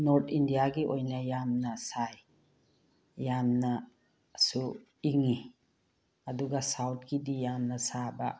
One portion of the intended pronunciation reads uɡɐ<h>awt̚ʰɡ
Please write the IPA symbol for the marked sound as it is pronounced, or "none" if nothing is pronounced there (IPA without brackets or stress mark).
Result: s